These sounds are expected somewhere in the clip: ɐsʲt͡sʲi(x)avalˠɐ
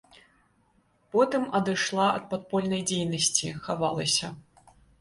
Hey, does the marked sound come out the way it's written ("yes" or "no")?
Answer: yes